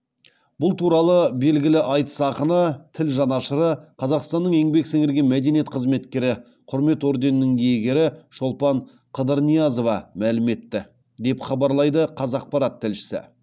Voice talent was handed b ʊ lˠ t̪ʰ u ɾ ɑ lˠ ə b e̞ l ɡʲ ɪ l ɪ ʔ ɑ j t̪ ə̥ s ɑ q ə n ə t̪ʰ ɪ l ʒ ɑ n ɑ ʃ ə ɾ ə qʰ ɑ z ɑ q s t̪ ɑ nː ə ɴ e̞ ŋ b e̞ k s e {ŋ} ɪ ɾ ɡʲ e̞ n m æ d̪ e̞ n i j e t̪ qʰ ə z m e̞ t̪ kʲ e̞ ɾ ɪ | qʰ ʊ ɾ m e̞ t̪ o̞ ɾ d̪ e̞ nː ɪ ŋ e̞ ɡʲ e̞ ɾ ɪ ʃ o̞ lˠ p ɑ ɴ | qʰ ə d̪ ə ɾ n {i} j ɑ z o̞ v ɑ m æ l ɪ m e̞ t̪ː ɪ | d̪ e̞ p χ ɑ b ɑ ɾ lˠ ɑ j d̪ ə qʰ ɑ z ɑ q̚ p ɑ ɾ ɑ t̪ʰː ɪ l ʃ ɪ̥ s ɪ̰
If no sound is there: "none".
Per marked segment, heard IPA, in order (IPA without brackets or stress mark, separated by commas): ŋ, i